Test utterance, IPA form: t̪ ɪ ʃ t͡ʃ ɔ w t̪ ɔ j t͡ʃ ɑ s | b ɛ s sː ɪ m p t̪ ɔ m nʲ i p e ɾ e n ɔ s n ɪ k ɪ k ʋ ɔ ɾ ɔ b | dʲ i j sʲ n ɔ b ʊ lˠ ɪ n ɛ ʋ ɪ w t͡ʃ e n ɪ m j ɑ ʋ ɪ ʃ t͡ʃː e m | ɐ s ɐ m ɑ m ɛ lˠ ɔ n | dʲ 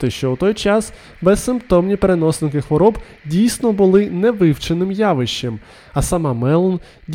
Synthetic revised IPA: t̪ ɪ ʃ t͡ʃ ɔ w t̪ ɔ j t͡ʃ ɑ s | b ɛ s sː ɪ m p t̪ ɔ m nʲ i p e ɾ e n ɔ s n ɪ k ɪ x ʋ ɔ ɾ ɔ b | dʲ i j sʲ n ɔ b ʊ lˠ ɪ n ɛ ʋ ɪ w t͡ʃ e n ɪ m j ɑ ʋ ɪ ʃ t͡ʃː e m | ɐ s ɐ m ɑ m ɛ lˠ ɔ n | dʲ